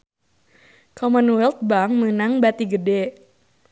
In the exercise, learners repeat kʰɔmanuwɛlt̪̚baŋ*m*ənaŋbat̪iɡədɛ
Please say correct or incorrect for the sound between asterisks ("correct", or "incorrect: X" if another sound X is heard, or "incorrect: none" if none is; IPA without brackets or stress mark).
correct